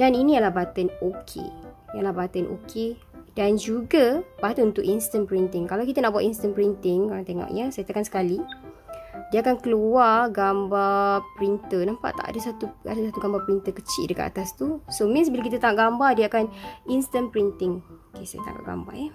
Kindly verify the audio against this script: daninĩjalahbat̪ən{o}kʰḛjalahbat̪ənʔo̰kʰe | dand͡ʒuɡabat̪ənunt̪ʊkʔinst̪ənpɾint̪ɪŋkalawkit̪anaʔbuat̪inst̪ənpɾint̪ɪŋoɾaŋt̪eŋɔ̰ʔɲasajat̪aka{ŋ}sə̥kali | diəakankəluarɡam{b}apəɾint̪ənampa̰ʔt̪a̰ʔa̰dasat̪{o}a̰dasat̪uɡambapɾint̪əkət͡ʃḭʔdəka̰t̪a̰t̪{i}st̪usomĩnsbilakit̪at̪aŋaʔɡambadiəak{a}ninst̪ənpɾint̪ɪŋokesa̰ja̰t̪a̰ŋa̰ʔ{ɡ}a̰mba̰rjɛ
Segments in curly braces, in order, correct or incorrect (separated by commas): correct, incorrect, correct, incorrect, incorrect, correct, correct